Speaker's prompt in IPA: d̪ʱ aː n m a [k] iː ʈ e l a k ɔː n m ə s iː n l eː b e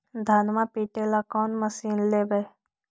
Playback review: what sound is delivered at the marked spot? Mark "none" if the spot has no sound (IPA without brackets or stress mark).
p